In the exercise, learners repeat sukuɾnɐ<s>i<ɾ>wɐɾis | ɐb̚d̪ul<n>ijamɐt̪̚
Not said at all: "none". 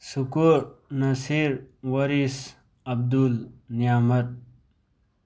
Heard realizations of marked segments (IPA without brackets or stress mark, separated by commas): s, ɾ, n